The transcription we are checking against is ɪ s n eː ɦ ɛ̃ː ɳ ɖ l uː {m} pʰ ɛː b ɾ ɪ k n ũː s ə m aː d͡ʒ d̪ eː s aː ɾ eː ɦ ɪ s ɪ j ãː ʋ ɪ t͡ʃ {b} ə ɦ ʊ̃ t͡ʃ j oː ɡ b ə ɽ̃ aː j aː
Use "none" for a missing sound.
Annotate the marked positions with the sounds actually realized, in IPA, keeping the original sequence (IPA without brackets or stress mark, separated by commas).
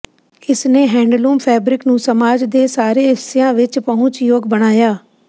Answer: m, p